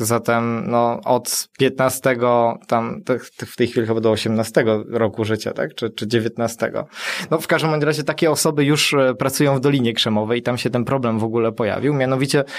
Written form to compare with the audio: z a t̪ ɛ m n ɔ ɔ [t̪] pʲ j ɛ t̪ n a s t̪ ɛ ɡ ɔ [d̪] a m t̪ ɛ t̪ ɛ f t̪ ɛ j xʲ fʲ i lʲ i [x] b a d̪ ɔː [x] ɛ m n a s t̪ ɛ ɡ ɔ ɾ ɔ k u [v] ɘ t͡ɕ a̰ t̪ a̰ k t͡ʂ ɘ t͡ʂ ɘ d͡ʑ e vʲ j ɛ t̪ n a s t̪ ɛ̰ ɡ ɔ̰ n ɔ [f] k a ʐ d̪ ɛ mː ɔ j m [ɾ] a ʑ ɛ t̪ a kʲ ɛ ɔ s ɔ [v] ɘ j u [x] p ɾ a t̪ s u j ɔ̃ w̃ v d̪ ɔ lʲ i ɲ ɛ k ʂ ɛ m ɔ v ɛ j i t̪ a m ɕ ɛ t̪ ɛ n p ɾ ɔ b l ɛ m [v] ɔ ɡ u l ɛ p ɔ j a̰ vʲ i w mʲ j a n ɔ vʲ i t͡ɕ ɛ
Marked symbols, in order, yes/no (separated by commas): yes, no, yes, no, no, yes, yes, no, no, yes